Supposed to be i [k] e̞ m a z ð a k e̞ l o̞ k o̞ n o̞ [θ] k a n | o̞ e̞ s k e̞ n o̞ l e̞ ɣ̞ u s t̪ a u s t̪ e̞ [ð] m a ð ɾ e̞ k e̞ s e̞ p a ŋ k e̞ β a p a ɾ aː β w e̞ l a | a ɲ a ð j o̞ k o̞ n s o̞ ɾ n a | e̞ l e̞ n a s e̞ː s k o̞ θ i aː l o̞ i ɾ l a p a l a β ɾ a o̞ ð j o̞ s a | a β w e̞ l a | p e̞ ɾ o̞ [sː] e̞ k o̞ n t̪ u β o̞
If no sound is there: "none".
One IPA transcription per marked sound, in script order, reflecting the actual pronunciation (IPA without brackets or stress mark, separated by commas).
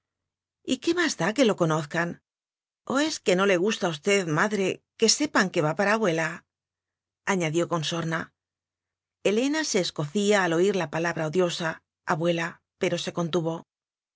k, θ, ð, s